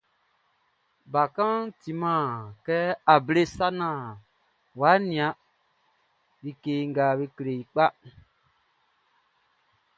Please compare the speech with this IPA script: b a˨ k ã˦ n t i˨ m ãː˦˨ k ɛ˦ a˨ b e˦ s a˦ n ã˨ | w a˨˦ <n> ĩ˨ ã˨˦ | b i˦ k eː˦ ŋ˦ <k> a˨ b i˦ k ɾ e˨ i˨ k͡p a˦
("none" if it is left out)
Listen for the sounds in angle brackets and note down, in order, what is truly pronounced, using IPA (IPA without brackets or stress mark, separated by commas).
n, ɡ